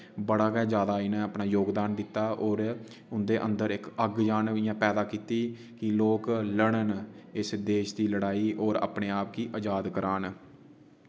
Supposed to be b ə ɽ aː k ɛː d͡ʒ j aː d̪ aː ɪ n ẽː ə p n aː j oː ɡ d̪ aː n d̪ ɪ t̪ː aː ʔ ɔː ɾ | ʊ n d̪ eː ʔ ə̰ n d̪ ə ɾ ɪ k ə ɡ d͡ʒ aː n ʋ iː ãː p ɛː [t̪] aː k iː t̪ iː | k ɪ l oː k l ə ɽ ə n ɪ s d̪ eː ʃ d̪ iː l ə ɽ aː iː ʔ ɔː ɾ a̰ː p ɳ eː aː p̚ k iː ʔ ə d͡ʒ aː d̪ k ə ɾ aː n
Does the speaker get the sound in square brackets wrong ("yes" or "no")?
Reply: yes